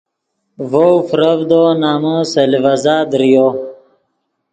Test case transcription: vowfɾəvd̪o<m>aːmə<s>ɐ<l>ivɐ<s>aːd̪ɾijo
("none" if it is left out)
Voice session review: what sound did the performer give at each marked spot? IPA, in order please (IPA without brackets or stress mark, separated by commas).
n, s, l, z